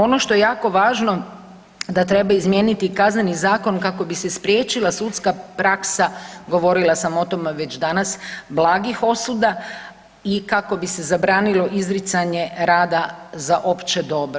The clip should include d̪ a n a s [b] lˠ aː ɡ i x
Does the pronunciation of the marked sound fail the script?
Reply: no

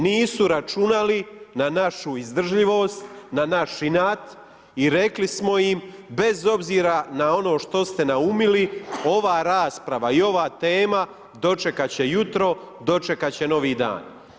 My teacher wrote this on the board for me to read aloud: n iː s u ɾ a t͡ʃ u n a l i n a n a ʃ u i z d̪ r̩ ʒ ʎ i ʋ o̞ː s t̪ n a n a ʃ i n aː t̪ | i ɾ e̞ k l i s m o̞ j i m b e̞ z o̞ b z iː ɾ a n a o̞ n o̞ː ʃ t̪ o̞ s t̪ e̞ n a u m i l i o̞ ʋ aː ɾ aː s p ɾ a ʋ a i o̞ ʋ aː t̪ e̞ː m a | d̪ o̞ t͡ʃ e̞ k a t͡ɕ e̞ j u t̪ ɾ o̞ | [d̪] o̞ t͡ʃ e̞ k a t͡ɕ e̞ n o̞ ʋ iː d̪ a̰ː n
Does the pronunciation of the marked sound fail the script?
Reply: no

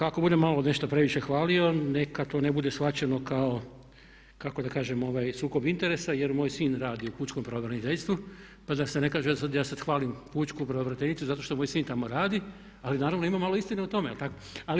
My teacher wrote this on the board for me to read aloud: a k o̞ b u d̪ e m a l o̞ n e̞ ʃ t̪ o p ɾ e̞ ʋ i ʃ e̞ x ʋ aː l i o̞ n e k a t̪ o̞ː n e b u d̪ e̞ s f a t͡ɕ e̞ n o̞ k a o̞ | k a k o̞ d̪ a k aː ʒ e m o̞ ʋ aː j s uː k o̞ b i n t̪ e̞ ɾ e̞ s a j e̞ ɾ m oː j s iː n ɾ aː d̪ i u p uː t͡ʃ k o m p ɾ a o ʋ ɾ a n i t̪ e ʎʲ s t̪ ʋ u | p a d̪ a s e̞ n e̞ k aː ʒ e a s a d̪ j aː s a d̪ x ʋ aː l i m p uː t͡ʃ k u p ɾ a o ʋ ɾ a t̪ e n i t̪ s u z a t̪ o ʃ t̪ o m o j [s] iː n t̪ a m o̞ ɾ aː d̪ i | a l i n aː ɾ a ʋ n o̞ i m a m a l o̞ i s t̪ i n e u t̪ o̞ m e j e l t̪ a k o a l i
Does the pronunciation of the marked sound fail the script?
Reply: no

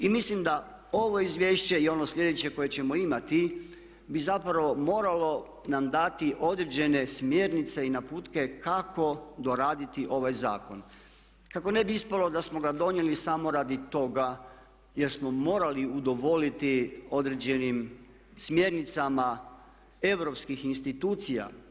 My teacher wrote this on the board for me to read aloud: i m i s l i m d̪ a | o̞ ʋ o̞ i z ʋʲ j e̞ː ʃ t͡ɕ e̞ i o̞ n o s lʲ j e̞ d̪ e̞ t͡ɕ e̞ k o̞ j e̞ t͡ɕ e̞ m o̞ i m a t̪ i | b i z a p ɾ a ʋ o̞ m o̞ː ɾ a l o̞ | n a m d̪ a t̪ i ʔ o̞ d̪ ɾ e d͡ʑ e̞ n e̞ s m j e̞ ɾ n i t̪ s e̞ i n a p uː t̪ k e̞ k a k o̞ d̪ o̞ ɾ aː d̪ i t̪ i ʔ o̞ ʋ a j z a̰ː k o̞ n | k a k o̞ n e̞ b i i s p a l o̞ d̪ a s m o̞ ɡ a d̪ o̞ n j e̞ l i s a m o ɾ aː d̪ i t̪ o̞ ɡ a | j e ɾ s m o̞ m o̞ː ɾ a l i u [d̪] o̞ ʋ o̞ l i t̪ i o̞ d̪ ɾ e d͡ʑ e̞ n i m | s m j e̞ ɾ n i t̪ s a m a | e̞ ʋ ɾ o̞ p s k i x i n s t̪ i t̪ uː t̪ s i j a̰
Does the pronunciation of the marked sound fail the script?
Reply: no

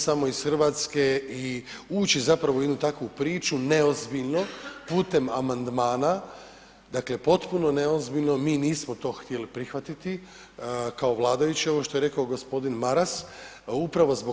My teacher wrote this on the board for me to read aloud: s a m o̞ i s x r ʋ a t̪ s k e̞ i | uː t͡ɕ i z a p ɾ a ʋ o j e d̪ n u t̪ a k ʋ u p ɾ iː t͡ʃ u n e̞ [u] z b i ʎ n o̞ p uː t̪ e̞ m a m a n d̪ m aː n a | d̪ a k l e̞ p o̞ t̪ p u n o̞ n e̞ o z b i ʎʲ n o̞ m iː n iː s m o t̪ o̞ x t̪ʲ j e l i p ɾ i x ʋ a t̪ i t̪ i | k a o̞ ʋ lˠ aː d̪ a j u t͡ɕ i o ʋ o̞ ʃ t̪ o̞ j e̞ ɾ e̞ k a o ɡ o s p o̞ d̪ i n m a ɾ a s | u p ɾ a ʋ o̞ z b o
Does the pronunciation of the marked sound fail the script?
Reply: yes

